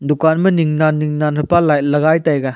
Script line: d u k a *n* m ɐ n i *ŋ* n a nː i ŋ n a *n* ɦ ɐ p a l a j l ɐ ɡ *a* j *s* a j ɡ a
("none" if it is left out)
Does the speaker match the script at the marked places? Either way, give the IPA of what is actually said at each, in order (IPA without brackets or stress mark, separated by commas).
n, ŋ, n, a, t